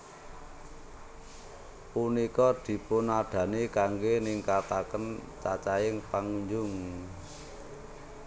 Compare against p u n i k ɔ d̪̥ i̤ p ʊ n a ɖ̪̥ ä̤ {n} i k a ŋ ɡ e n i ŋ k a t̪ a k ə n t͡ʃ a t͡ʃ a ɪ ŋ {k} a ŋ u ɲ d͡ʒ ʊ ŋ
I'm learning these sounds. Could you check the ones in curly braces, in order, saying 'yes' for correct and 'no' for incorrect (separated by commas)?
yes, no